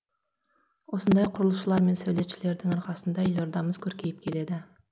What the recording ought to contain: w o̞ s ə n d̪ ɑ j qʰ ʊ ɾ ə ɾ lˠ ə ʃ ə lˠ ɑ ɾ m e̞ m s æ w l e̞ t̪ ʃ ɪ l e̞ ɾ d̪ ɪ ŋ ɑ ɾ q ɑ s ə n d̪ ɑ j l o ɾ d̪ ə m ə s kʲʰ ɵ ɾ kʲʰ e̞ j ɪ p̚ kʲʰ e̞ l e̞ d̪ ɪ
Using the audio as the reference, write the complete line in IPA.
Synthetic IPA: w o̞ s ə n d̪ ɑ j qʰ ʊ ɾ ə lˠ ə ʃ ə lˠ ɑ ɾ m e̞ n s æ w l e̞ t̪ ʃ ɪ l e̞ ɾ d̪ ɪ ŋ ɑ ɾ q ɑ s ə n d̪ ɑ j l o ɾ d̪ ɑ m ə z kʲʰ ɵ ɾ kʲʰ e̞ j ɪ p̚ kʲʰ e̞ l e̞ d̪ ɪ